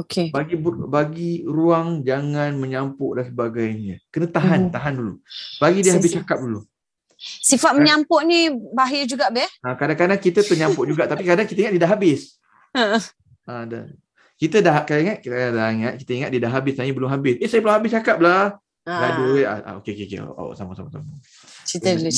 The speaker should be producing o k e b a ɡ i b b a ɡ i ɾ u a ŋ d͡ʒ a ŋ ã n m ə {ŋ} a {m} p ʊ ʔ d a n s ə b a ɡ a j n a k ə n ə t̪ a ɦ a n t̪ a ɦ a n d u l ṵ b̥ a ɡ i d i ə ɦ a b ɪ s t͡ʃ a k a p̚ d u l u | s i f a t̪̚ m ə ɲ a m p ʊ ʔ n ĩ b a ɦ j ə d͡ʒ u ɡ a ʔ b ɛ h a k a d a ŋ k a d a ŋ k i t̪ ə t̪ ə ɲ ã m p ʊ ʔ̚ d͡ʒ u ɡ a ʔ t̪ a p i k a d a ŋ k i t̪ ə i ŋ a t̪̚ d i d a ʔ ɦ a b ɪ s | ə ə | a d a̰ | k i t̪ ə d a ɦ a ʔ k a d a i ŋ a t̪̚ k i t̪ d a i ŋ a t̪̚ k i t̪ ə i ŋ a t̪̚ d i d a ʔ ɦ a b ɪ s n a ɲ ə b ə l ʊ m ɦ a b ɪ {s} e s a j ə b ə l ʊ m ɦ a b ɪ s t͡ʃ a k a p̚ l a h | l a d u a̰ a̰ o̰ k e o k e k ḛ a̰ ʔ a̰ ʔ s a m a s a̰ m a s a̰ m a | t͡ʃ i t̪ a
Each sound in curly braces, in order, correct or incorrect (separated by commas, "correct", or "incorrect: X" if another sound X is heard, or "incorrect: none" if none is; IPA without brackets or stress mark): incorrect: ɲ, correct, correct